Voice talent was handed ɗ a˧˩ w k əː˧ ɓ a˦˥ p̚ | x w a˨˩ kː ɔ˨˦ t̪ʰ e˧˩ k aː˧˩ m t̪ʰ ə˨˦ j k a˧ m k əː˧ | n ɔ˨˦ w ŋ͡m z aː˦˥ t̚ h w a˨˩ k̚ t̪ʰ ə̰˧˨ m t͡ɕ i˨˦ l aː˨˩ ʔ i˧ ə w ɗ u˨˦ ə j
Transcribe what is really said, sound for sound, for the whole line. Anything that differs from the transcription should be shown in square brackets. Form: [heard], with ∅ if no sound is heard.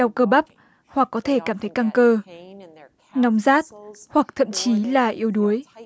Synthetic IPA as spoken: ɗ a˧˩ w k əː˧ ɓ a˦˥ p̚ | [h] w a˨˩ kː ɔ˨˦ t̪ʰ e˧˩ k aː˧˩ m t̪ʰ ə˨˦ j k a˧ [ŋ] k əː˧ | n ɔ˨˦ w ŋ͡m z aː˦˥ t̚ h w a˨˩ k̚ t̪ʰ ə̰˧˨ m t͡ɕ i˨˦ l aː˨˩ ʔ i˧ ə w ɗ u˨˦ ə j